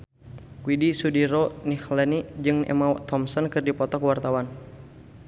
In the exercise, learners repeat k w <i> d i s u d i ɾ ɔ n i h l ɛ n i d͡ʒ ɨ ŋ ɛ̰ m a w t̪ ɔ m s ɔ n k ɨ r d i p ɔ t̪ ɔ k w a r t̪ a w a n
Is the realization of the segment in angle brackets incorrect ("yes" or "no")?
no